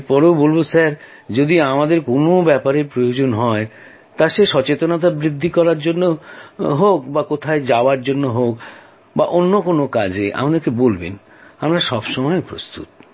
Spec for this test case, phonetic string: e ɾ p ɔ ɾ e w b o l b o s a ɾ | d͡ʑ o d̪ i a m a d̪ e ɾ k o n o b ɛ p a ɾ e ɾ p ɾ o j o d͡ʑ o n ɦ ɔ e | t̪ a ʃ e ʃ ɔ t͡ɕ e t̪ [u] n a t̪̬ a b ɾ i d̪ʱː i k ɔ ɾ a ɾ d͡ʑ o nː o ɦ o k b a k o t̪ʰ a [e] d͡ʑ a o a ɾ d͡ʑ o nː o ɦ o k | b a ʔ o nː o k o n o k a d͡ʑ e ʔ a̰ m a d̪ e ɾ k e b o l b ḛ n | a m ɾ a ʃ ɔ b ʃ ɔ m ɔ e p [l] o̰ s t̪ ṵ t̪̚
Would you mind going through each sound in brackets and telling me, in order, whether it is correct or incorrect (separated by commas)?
incorrect, correct, incorrect